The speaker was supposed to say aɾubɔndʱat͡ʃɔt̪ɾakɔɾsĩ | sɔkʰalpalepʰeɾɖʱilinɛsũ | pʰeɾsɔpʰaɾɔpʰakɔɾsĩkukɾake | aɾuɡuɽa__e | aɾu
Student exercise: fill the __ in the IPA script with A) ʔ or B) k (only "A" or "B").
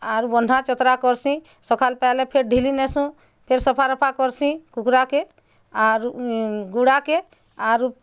B